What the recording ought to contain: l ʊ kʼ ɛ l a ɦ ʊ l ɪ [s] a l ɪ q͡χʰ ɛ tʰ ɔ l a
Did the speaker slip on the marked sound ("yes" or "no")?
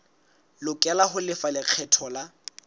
yes